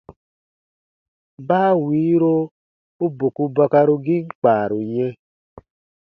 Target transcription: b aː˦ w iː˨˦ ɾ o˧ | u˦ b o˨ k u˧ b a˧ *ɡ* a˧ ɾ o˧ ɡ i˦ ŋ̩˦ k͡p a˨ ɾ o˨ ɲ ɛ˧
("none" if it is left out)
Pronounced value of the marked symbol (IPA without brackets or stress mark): k